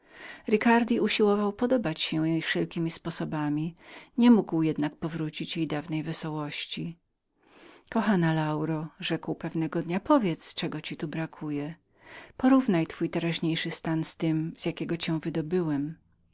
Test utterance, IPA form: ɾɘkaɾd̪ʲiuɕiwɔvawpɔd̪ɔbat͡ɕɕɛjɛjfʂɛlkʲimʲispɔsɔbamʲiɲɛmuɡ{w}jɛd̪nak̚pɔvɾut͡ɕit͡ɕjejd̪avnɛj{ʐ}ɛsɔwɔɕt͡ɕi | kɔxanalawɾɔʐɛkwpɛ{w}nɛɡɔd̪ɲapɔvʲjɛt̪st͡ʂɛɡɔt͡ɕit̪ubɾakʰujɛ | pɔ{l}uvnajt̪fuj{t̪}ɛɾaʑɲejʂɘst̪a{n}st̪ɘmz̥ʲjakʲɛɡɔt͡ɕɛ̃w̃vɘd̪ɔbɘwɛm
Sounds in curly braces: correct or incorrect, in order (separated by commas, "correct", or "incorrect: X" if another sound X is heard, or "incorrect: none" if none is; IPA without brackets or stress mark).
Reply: correct, incorrect: v, incorrect: v, incorrect: ɾ, correct, correct